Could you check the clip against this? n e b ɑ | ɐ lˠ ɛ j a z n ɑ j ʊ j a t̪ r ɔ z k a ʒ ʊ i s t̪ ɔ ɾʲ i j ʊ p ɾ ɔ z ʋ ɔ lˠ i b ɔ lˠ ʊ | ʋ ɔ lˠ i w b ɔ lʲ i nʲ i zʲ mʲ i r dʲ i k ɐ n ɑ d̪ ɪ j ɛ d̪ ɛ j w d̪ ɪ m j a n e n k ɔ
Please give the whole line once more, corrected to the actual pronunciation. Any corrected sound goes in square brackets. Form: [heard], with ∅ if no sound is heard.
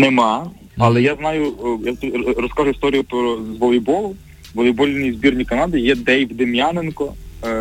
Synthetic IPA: n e [m] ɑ | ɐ lˠ ɛ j a z n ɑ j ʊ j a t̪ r ɔ [s] k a ʒ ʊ i s t̪ ɔ ɾʲ i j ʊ p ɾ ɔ z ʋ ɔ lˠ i b ɔ lˠ ʊ | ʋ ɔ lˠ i [∅] b ɔ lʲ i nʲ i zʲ [bʲ] i r [nʲ] i k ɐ n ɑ d̪ ɪ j ɛ d̪ ɛ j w d̪ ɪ m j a n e n k ɔ